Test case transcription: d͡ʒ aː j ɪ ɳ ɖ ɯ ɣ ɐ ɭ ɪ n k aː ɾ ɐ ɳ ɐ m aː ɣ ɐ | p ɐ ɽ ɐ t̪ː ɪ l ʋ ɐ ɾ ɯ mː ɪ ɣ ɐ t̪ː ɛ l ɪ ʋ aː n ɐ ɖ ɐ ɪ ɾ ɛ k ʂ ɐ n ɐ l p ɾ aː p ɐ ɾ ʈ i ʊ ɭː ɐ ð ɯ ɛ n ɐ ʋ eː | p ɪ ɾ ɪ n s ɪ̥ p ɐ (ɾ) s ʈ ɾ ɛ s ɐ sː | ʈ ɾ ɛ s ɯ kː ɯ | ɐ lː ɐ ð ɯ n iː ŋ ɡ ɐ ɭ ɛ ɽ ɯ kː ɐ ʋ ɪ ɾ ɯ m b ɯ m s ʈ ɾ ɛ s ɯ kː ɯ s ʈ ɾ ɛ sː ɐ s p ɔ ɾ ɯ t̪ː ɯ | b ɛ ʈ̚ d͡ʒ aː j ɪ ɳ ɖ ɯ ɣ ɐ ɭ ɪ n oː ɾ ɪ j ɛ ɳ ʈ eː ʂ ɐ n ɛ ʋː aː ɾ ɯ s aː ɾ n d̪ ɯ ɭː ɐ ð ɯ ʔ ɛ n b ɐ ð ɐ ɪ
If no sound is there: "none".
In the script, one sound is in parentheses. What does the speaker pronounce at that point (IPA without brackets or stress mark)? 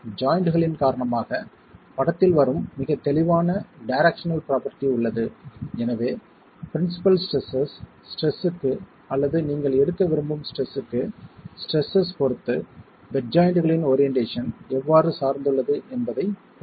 l